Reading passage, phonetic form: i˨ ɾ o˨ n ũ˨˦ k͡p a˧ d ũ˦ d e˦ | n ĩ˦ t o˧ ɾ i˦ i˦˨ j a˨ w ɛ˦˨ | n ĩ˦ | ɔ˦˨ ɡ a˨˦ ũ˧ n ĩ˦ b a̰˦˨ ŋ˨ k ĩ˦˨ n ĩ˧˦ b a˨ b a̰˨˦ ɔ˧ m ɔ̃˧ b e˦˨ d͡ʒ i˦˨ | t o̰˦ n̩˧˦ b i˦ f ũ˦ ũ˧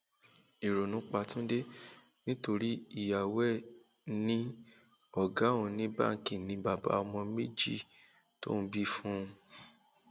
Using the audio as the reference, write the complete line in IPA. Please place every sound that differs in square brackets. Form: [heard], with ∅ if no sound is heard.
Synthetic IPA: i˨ ɾ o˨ n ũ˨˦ k͡p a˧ [t] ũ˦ d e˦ | n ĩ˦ t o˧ ɾ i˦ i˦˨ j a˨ w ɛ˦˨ | n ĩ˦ | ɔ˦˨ ɡ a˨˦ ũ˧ n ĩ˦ b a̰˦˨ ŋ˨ k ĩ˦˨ n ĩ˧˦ b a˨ b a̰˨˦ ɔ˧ m ɔ̃˧ [m] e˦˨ d͡ʒ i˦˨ | t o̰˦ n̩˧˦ b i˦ f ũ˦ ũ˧